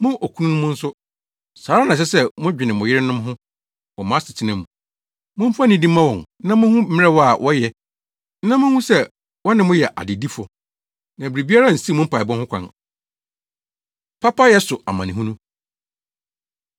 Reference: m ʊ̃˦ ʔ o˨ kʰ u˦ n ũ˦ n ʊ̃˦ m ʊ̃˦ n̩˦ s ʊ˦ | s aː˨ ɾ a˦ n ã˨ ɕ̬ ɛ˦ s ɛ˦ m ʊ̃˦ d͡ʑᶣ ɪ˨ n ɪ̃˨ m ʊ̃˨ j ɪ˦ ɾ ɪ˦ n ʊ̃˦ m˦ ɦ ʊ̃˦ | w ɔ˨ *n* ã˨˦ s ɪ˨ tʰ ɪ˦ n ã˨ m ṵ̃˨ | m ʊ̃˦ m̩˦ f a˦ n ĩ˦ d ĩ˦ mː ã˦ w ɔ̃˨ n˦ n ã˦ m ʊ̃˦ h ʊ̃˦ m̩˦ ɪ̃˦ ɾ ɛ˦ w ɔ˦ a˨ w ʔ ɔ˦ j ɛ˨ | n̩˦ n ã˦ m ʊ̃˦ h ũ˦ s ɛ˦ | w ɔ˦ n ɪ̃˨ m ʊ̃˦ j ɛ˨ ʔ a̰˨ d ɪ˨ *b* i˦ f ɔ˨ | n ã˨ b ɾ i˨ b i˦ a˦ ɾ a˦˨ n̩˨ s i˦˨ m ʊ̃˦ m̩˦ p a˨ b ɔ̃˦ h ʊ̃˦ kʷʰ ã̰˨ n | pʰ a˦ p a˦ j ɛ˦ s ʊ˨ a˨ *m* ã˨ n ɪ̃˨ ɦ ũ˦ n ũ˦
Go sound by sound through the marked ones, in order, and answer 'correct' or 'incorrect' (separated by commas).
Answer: incorrect, incorrect, correct